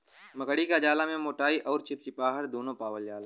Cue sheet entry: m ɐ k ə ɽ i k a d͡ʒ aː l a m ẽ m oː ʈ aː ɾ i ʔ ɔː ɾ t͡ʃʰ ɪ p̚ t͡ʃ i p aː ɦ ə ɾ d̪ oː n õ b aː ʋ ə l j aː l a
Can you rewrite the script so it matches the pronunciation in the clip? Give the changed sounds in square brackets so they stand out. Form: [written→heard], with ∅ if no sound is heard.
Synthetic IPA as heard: m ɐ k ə ɽ i k a d͡ʒ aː l a m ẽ m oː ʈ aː [ɾ→∅] i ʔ ɔː ɾ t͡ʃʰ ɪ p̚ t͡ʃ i p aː ɦ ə ɾ d̪ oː n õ [b→p] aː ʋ ə l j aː l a